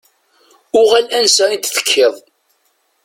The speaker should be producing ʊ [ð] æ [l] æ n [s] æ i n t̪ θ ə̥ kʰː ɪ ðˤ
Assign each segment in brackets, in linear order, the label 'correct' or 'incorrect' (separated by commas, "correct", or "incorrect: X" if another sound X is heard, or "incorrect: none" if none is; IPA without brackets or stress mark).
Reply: incorrect: ʁ, correct, correct